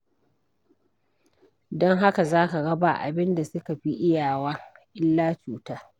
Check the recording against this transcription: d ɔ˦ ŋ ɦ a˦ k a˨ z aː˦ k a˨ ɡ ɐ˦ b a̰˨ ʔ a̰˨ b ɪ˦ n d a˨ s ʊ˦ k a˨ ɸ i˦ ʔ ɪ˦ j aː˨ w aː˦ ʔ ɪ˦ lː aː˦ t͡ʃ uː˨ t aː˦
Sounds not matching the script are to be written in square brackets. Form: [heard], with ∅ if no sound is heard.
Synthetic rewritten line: d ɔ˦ ŋ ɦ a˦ k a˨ z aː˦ k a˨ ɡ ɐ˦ b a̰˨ ʔ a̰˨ b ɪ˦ n d a˨ s ʊ˦ k a˨ ɸ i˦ ʔ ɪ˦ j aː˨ w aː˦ ʔ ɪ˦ lː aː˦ t͡ʃ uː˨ t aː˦